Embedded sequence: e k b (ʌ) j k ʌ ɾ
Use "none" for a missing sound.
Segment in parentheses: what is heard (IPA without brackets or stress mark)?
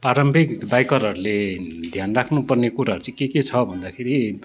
a